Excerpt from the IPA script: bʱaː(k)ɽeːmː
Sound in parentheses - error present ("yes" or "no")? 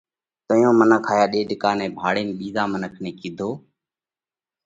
yes